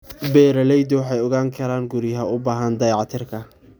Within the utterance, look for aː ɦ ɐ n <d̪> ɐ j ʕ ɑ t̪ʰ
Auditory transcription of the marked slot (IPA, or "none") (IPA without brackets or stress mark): d̪